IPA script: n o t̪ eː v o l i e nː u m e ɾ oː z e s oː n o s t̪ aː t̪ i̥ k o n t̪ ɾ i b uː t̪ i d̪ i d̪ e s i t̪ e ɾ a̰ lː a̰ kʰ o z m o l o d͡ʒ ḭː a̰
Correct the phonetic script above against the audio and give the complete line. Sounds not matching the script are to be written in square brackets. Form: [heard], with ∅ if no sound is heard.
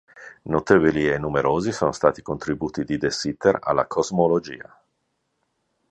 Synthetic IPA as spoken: n o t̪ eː v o l i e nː u m e ɾ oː z [i] s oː n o s t̪ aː t̪ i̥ k o n t̪ ɾ i b uː t̪ i d̪ i d̪ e s i t̪ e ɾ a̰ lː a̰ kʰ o z m o l o d͡ʒ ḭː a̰